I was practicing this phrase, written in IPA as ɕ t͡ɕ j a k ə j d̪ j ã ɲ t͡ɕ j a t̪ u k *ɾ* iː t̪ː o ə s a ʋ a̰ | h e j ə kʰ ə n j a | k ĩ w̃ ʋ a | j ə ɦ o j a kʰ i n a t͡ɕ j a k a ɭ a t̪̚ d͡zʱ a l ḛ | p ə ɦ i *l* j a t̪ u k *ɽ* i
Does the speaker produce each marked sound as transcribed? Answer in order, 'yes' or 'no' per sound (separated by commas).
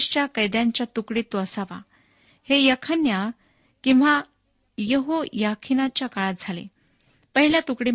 no, yes, yes